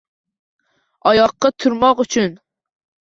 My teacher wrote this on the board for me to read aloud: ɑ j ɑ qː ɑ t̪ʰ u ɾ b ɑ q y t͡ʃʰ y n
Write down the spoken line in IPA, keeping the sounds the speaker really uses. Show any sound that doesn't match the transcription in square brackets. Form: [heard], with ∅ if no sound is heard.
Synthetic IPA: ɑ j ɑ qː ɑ t̪ʰ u ɾ [m] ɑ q y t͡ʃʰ y n